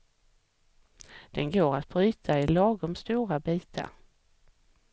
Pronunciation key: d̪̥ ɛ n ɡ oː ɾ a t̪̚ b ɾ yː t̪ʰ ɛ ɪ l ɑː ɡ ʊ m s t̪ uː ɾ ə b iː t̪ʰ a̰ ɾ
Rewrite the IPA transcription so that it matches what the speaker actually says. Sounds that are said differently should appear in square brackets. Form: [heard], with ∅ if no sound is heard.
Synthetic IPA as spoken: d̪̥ ɛ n ɡ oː ɾ a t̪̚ b ɾ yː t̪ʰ [a] ɪ l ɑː ɡ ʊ m s t̪ uː ɾ [a] b iː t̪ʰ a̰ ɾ